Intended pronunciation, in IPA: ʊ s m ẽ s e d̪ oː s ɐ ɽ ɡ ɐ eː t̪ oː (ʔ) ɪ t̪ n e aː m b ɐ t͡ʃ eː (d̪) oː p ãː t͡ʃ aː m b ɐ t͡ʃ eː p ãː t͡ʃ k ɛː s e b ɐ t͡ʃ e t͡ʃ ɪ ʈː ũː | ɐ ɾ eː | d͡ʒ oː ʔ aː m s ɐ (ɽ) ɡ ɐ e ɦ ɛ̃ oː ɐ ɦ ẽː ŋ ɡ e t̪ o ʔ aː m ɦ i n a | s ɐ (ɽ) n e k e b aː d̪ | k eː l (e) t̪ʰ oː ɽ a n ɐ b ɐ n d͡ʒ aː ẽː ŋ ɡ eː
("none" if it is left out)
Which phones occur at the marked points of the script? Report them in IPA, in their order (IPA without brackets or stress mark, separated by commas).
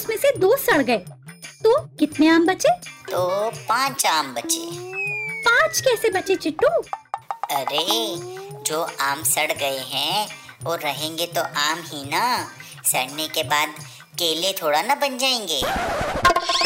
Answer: k, t̪, ɽ, ɽ, e